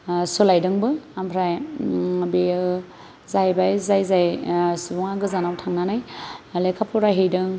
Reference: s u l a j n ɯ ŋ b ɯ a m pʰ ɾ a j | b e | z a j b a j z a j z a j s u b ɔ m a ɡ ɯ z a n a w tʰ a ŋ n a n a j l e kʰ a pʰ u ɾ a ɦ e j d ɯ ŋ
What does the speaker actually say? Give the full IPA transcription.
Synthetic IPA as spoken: s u l a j d ɯ ŋ b ɯ a m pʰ ɾ a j | b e | z a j b a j z a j z a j s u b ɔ ŋ a ɡ ɯ z a n a w tʰ a ŋ n a n a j l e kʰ a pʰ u ɾ a ɦ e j d ɯ ŋ